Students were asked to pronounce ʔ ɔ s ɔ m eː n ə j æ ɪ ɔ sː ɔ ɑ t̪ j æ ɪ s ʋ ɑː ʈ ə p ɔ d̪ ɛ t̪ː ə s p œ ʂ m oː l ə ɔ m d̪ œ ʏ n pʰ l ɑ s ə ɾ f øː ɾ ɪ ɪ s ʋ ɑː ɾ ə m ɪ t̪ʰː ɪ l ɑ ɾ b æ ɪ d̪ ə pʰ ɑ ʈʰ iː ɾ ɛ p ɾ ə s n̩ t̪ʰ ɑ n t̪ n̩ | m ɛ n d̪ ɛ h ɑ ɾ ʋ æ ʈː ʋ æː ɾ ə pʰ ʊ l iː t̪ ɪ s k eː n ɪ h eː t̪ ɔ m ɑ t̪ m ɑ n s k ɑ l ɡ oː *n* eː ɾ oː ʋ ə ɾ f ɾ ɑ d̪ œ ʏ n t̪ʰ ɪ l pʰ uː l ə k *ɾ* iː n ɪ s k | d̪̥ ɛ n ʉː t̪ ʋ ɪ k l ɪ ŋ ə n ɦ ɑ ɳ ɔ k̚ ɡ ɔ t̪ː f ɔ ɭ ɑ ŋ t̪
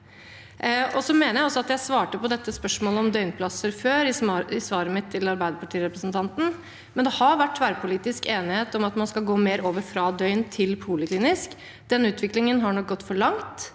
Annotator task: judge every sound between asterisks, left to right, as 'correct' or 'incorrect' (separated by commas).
incorrect, incorrect